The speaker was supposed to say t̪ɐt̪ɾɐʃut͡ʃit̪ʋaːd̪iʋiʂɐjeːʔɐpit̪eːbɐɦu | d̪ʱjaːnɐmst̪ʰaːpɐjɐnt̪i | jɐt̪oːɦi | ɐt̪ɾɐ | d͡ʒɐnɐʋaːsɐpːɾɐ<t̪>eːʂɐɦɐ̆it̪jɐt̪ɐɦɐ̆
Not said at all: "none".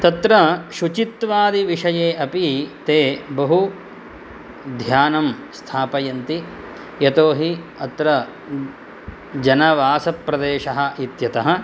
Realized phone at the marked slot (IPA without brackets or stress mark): d̪